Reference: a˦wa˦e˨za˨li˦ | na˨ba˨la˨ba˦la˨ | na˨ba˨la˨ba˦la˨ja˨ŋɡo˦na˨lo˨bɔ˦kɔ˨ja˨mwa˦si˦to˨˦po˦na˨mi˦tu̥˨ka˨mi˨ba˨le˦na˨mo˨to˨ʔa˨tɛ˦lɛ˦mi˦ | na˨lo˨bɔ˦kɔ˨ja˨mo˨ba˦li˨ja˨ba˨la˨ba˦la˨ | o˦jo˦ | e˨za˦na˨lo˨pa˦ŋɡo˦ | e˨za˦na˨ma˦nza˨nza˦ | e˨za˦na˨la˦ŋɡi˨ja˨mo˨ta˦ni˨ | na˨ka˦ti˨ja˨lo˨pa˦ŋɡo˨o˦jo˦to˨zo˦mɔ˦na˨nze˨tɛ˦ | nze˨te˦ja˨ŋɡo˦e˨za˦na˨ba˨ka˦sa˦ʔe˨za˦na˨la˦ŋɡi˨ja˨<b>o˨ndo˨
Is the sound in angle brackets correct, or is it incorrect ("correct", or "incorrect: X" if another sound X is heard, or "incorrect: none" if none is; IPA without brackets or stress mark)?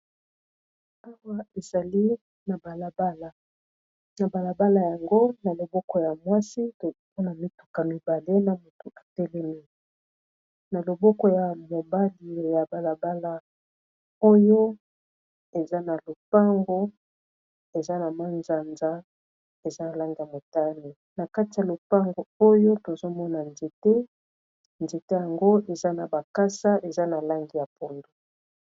incorrect: p